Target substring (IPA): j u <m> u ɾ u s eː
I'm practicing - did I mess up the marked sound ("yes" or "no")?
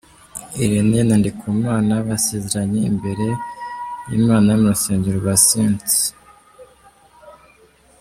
no